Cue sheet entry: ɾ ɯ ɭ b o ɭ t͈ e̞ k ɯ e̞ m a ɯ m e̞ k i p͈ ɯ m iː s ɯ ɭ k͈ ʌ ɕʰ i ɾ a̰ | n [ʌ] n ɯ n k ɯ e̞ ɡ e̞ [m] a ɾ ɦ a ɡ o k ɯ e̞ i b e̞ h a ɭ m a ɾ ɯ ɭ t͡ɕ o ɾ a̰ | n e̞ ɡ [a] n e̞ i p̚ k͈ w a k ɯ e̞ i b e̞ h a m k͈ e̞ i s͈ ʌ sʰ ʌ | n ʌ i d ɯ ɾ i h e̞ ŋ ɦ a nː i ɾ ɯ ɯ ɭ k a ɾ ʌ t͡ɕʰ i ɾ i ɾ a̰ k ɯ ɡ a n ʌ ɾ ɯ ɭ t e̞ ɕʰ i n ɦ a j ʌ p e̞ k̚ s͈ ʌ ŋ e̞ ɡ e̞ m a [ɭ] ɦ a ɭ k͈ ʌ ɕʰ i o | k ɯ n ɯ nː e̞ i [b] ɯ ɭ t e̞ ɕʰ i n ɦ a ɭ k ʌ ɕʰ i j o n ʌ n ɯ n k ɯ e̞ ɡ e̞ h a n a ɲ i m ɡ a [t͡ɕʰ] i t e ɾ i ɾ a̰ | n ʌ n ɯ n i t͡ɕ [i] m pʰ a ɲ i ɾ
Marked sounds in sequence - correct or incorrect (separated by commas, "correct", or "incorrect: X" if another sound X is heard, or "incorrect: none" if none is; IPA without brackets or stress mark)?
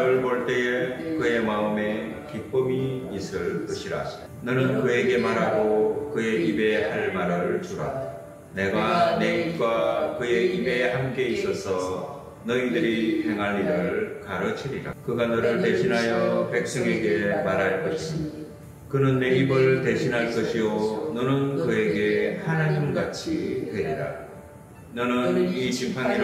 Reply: correct, correct, correct, incorrect: ɾ, correct, correct, correct